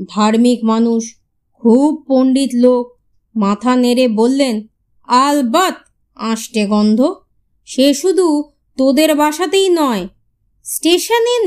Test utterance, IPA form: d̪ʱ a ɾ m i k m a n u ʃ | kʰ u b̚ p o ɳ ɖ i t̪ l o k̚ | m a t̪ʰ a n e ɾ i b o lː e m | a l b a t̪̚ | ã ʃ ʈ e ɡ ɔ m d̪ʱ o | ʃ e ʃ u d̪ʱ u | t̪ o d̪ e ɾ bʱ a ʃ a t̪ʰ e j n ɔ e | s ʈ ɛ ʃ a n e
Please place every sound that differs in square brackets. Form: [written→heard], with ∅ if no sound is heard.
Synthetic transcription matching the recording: d̪ʱ a ɾ m i k m a n u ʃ | kʰ u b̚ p o ɳ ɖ i t̪ l o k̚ | m a t̪ʰ a n e ɾ [i→e] b o lː e [m→n] | a l b a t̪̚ | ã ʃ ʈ e ɡ ɔ [m→n] d̪ʱ o | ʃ e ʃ u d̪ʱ u | t̪ o d̪ e ɾ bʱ a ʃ a [t̪ʰ→t̪] e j n ɔ e | s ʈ [ɛ→e] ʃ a n e